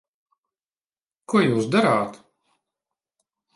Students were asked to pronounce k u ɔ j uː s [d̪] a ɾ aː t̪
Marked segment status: correct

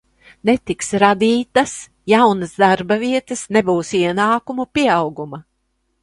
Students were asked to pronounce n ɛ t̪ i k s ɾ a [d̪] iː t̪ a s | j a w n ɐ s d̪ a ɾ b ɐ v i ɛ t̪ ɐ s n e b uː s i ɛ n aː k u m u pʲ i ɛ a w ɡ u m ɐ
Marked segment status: correct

